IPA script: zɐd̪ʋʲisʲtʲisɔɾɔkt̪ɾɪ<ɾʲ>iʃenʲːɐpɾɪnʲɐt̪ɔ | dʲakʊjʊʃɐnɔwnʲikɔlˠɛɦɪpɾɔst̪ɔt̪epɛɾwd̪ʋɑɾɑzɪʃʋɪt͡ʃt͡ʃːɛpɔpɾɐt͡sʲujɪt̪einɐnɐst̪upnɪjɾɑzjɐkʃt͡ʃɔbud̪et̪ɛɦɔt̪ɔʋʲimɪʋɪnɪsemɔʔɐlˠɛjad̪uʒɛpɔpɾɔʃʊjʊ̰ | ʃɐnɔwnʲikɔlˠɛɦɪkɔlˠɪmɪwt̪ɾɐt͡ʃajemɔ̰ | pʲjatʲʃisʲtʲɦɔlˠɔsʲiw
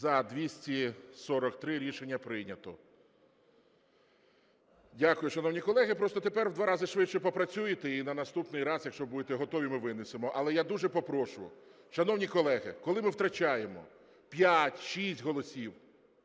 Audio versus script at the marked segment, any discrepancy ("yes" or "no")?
no